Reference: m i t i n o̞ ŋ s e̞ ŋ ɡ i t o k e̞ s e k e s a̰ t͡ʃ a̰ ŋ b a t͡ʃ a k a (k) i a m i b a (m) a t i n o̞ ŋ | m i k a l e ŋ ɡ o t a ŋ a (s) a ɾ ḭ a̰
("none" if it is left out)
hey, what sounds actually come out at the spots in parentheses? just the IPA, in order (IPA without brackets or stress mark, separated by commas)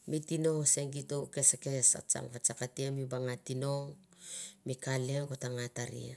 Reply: t, ŋ, t